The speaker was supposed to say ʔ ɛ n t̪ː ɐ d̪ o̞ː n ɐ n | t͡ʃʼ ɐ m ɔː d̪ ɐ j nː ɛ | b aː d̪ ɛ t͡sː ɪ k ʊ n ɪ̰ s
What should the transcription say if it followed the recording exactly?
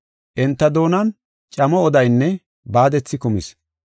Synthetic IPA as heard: ʔ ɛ n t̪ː ɐ d̪ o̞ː n ɐ n | t͡ʃʼ ɐ m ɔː d̪ ɐ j nː ɛ | b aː d̪ ɛ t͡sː ɪ k ʊ m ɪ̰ s